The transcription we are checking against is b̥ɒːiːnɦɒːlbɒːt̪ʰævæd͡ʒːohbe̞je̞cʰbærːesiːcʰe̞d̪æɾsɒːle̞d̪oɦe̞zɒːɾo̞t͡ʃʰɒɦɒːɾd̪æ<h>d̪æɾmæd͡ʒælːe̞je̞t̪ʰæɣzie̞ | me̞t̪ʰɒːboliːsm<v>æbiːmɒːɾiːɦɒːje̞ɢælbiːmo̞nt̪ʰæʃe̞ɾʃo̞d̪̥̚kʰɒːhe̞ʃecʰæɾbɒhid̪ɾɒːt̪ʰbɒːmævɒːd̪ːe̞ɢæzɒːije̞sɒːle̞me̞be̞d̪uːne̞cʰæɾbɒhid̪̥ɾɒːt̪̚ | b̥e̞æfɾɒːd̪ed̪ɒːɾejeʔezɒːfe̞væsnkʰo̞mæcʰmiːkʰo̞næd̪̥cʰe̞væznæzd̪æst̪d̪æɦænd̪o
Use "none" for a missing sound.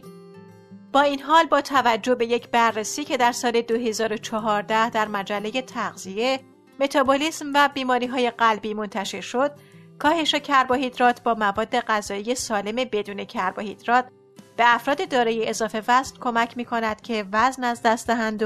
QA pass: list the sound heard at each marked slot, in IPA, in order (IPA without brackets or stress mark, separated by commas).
h, v